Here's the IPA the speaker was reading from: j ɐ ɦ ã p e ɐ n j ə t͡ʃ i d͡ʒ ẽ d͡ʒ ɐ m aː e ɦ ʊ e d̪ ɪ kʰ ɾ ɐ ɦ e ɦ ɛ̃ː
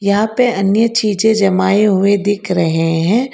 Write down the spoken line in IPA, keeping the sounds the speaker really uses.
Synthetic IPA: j ɐ ɦ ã p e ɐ n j ə t͡ʃ iː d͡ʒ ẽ d͡ʒ ɐ m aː e ɦ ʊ e d̪ ɪ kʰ ɾ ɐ ɦ e ɦ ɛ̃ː